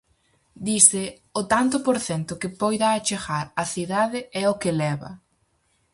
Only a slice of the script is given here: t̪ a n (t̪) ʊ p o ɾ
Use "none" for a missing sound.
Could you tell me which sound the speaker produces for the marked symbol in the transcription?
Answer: t̪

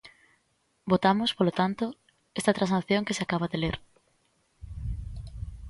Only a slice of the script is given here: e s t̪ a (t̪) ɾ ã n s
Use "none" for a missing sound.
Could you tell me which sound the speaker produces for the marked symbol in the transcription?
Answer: t̪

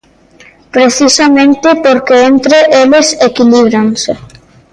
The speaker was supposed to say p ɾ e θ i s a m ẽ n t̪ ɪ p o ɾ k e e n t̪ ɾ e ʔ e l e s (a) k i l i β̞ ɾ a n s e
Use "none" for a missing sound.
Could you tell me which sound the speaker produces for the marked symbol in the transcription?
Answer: e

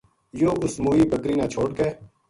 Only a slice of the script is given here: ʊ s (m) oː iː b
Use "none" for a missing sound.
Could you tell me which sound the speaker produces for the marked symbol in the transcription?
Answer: m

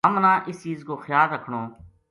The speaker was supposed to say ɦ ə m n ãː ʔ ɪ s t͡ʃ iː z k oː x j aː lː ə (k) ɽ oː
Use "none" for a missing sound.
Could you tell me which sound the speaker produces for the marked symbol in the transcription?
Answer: kʰ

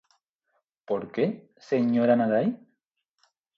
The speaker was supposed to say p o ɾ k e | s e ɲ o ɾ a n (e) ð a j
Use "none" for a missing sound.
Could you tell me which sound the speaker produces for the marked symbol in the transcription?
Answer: a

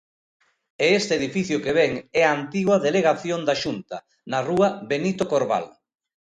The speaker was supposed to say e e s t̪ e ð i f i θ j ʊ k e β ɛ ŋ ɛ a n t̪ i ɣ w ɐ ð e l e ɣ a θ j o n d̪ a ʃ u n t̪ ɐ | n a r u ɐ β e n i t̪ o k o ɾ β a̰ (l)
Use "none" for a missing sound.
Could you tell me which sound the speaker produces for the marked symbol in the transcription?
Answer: l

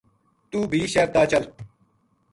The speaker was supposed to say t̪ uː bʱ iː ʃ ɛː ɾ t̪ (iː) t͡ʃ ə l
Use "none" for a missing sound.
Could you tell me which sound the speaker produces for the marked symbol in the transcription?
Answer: aː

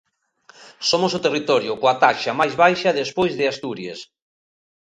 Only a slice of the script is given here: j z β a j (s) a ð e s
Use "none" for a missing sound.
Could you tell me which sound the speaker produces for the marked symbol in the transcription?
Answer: ʃ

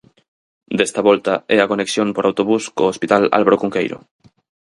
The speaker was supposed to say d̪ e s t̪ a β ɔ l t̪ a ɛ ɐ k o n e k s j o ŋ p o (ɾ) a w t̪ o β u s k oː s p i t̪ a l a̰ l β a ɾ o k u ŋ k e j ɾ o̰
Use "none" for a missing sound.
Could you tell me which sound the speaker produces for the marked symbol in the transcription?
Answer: ɾ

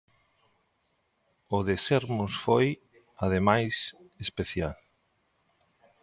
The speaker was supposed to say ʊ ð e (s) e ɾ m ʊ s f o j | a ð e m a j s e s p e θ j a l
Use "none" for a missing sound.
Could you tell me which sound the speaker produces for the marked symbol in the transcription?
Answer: s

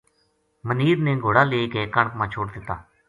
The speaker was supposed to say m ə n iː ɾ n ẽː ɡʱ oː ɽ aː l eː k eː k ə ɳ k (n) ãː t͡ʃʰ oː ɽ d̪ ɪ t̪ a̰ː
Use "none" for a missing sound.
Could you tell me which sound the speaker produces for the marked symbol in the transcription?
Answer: m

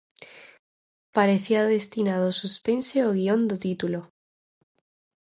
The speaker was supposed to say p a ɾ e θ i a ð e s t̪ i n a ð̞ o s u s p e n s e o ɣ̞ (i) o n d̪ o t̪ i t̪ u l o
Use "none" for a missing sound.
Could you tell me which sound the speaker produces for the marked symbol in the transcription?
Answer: i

